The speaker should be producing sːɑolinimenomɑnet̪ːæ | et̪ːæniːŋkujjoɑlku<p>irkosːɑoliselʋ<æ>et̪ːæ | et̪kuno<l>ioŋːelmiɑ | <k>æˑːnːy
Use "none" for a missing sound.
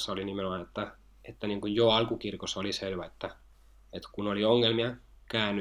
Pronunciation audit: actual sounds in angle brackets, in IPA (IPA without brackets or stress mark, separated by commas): k, æ, l, k